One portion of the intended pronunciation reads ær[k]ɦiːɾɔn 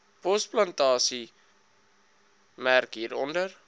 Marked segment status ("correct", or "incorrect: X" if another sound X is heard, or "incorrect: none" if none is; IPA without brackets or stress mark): correct